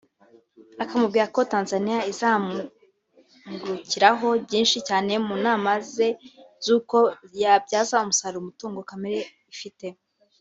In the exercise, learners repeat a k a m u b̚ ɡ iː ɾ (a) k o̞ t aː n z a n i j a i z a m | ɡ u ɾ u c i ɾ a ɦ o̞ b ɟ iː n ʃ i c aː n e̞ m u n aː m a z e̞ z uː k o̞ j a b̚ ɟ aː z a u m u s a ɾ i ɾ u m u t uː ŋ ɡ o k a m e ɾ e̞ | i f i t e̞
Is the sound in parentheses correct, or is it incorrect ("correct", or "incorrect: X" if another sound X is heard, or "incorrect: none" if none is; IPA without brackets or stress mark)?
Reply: correct